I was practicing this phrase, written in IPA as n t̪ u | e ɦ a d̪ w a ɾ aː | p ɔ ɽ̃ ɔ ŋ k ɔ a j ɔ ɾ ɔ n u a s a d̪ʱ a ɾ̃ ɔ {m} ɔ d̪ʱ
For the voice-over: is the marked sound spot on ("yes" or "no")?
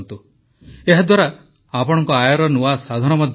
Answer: yes